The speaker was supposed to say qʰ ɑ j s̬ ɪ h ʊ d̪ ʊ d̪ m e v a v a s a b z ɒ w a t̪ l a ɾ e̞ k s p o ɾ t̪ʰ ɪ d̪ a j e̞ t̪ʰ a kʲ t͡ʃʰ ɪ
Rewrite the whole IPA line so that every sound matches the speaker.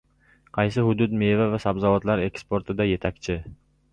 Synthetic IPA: qʰ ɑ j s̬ ɪ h ʊ d̪ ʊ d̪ m e v a v a s a b z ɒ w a t̪ l a ɾ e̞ k s p o ɾ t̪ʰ ɪ d̪ a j e̞ t̪ʰ a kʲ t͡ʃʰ ɪ